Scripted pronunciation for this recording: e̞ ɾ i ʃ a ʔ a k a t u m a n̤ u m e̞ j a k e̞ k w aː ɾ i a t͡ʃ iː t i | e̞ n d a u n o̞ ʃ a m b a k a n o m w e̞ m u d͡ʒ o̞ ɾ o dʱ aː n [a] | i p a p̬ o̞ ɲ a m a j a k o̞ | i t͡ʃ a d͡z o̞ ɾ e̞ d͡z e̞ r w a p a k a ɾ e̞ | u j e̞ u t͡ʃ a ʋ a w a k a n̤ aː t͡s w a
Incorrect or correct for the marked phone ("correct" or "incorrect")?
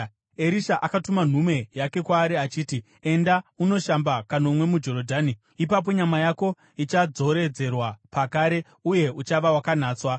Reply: incorrect